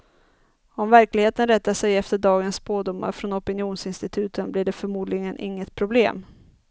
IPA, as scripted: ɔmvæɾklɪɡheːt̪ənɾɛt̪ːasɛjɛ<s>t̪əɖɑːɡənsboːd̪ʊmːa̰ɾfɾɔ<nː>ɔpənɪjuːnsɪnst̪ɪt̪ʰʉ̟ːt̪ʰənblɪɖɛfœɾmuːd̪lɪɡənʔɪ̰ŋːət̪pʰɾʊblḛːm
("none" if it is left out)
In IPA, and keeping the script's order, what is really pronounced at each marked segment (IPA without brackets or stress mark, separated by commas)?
f, n